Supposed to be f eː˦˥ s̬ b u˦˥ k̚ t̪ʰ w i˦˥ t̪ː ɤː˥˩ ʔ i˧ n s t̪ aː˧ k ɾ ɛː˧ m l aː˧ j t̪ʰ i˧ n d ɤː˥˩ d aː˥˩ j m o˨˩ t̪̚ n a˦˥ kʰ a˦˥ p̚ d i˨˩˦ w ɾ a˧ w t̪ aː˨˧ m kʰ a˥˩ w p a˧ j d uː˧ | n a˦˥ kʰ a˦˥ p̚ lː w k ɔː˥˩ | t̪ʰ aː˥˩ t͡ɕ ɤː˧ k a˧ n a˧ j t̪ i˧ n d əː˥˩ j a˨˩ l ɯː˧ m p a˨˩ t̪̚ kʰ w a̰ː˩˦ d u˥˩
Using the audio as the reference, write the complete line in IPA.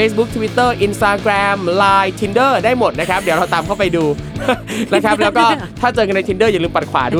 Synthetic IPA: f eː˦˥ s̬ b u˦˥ k̚ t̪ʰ w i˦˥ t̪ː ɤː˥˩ ʔ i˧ n s t̪ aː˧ k ɾ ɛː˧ m l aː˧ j t̪ʰ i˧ n d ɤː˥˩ d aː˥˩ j m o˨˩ t̪̚ n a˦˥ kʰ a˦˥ p̚ d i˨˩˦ w ɾ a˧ w t̪ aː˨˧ m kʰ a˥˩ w p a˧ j d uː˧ | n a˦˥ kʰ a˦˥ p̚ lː w k ɔː˥˩ | t̪ʰ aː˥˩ t͡ɕ ɤː˧ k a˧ n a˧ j t̪ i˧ n d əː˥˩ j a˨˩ l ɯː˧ m p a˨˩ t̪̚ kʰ w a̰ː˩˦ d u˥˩